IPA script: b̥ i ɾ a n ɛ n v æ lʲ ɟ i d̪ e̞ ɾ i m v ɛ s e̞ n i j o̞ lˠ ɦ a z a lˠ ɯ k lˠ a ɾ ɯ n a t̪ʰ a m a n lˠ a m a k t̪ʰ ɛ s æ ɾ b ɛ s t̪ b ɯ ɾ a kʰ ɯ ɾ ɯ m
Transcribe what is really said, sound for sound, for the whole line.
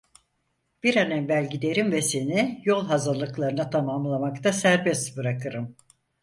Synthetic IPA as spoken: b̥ i ɾ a n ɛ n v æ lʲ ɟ i d̪ e̞ ɾ i m v ɛ s e̞ n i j o̞ lˠ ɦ a z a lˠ ɯ k lˠ a ɾ ɯ n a t̪ʰ a m a m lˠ a m a k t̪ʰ a s æ ɾ b ɛ s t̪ b ɯ ɾ a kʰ ɯ ɾ ɯ m